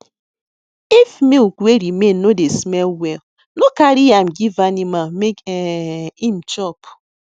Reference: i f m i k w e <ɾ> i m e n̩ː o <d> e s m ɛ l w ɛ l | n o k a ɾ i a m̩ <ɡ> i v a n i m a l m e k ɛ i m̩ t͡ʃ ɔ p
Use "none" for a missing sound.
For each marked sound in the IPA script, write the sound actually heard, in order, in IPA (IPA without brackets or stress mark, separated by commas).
ɾ, d, ɡ